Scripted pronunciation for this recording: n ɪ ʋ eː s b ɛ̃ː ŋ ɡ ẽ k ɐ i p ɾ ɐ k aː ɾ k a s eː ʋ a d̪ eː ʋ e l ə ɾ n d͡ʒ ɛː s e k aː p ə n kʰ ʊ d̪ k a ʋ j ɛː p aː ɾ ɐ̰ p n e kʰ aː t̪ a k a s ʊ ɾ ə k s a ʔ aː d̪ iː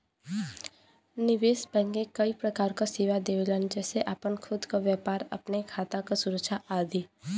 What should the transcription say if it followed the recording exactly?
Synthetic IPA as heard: n ɪ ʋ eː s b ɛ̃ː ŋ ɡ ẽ k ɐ i p ɾ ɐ k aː ɾ k a s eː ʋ a d̪ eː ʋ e l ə n d͡ʒ ɛː s e ʔ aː p ə n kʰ ʊ d̪ k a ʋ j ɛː p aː ɾ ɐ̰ p n e kʰ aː t̪ a k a s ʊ ɾ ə k ʃ a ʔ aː d̪ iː